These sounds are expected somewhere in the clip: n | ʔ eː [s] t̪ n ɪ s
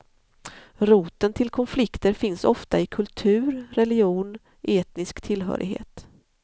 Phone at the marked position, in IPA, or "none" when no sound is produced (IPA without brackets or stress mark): none